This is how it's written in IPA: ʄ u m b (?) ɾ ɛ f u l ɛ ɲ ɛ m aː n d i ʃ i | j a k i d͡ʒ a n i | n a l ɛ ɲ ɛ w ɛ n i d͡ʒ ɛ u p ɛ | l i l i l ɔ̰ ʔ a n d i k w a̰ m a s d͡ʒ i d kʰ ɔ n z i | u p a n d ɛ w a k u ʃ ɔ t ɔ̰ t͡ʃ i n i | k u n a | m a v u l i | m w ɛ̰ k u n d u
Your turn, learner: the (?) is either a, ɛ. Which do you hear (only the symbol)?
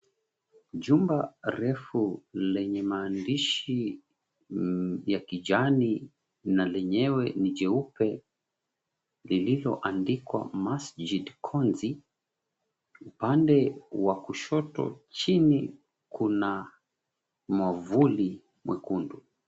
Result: a